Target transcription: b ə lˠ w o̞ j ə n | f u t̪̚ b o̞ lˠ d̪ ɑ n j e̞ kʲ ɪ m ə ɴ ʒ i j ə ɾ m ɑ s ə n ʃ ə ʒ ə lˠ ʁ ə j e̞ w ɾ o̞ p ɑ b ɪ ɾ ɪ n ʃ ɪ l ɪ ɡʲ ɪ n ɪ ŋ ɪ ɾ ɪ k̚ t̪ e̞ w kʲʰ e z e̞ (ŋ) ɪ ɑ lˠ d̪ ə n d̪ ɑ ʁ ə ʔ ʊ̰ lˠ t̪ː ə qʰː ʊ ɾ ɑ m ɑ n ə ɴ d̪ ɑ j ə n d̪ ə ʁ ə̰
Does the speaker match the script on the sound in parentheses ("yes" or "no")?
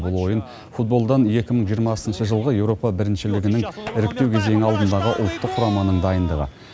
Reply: yes